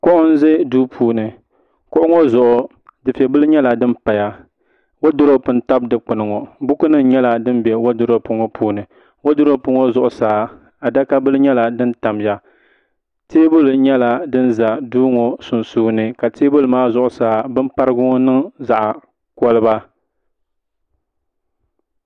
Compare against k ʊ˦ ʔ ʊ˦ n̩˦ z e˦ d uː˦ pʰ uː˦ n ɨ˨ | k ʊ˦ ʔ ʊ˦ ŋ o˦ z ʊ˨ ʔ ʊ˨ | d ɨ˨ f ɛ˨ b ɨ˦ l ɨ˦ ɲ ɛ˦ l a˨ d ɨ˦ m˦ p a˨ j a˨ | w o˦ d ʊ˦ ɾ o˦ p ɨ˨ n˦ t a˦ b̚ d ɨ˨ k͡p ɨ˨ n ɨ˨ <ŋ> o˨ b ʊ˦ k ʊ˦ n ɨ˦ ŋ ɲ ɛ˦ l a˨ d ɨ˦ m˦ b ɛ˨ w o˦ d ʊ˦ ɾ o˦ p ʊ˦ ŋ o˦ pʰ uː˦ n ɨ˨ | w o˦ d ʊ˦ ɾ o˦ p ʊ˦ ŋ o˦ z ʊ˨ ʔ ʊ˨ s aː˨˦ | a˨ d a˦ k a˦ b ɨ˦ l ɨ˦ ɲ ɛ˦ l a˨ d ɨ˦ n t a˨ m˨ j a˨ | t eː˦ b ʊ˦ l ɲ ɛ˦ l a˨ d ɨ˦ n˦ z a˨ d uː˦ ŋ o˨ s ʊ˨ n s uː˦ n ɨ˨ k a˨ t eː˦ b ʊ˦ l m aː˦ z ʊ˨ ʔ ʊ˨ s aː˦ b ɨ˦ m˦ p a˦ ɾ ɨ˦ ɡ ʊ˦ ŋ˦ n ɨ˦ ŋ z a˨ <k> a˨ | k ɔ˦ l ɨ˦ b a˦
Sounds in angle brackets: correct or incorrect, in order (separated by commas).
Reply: correct, incorrect